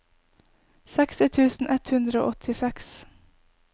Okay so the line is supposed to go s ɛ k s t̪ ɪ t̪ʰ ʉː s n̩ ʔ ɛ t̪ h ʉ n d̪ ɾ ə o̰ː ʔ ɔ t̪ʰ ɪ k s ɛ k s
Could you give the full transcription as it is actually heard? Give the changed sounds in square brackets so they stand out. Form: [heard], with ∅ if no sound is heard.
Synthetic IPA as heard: s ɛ k s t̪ ɪ t̪ʰ ʉː s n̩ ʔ ɛ t̪ h ʉ n d̪ ɾ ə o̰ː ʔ ɔ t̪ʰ ɪ [∅] s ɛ k s

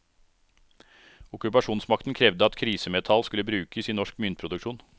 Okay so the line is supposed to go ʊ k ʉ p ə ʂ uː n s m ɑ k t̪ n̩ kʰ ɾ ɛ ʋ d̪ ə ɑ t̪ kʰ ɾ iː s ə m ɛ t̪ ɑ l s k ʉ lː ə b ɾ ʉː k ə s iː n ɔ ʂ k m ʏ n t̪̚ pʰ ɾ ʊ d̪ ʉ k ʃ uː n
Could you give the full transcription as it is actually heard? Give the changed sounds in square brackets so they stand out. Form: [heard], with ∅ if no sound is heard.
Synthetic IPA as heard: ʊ k ʉ p [ɑ] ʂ uː n s m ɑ k t̪ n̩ kʰ ɾ ɛ ʋ d̪ ə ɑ t̪ kʰ ɾ iː s ə m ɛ [t̪ʰ] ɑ l s k ʉ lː ə b ɾ ʉː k ə s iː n ɔ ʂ k m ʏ n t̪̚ pʰ ɾ ʊ d̪ ʉ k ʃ uː n

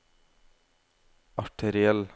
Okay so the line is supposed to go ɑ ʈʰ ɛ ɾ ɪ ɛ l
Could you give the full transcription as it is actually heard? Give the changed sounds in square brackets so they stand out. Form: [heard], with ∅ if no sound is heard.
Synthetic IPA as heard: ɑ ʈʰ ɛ ɾ ɪ ɛ l

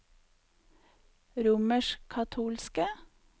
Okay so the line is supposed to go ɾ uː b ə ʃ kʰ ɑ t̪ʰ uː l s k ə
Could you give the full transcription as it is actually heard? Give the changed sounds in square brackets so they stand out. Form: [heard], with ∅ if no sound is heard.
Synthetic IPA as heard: ɾ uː [m] ə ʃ kʰ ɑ t̪ʰ uː l s k ə

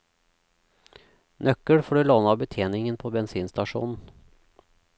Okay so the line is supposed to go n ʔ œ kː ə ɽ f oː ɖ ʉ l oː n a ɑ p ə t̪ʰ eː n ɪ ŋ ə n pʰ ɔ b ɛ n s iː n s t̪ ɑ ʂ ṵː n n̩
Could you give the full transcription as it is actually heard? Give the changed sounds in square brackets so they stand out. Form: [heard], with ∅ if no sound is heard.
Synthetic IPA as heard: n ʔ œ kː ə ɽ f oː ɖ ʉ l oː n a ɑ [b] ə t̪ʰ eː n ɪ ŋ ə n pʰ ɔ b ɛ n s iː n s t̪ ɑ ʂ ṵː n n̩

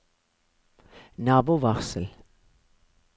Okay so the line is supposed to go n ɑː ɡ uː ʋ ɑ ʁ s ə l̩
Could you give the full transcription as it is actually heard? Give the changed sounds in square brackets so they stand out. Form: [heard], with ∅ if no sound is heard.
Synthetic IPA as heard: n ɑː [b] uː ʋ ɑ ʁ s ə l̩

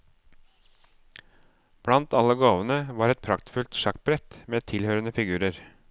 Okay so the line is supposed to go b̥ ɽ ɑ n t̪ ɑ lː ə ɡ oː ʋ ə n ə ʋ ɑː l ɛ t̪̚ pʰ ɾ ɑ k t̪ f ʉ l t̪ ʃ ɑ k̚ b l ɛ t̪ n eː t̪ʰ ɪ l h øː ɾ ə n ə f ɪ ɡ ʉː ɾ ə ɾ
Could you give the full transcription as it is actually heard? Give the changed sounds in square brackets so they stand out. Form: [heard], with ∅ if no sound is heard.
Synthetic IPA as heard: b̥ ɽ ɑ n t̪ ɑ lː ə ɡ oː ʋ ə n ə ʋ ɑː [ɾ] ɛ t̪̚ pʰ ɾ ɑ k t̪ f ʉ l t̪ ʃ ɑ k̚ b [ɾ] ɛ t̪ [m] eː t̪ʰ ɪ l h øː ɾ ə n ə f ɪ ɡ ʉː ɾ ə ɾ

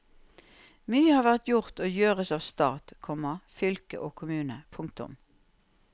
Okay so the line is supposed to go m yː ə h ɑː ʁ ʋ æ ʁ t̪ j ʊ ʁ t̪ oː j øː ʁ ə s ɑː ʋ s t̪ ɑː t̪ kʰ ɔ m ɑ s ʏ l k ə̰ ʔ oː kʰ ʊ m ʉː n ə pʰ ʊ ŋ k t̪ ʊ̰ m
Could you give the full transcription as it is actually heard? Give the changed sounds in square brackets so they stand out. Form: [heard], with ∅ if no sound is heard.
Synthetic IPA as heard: m yː ə h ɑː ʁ ʋ æ ʁ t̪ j ʊ ʁ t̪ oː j øː ʁ ə s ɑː ʋ s t̪ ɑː t̪ kʰ ɔ m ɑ [f] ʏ l k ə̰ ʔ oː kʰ ʊ m ʉː n ə pʰ ʊ ŋ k t̪ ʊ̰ m

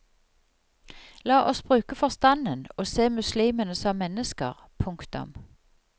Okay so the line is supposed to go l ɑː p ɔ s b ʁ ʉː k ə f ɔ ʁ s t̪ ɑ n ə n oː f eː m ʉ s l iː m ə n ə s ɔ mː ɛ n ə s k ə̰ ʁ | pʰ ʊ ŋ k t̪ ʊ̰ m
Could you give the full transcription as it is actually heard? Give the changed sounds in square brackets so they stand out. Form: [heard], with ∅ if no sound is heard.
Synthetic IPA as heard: l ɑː [ʔ] ɔ s b ʁ ʉː k ə f ɔ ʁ s t̪ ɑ n ə n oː [s] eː m ʉ s l iː m ə n ə s ɔ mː ɛ n ə s k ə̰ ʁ | pʰ ʊ ŋ k t̪ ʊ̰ m

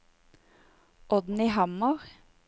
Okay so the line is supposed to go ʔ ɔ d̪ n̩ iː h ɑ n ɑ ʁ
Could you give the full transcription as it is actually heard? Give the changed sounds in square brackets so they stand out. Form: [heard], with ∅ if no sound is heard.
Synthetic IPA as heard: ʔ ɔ d̪ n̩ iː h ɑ [m] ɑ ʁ

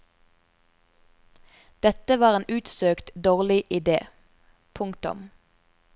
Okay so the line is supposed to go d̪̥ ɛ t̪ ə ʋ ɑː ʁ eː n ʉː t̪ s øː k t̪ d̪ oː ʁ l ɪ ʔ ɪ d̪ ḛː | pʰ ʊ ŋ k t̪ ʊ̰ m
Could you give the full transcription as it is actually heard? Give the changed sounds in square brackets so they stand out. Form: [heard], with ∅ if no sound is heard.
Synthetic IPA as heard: d̪̥ ɛ t̪ ə ʋ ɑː ʁ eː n ʉː t̪ s øː k t̪ d̪ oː ʁ l ɪ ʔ ɪ d̪ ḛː | pʰ ʊ ŋ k t̪ ʊ̰ m

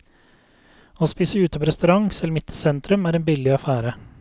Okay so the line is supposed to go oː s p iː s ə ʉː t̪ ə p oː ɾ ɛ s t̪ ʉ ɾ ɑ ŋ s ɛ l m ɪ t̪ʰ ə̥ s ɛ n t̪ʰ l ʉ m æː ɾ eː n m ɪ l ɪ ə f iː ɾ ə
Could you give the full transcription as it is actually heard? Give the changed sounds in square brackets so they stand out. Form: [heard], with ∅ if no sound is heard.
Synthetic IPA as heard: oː s p iː s ə ʉː t̪ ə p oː ɾ ɛ s t̪ ʉ ɾ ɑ ŋ s ɛ l m ɪ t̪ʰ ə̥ s ɛ n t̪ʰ [ɾ] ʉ m æː ɾ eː n [b] ɪ l ɪ [ɑ] f [æː] ɾ ə

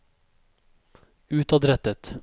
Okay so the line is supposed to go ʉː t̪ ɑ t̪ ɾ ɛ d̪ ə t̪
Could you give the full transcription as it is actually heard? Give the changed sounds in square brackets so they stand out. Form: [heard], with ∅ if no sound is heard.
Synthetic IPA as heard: ʉː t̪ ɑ [d̪] ɾ ɛ [t̪] ə t̪

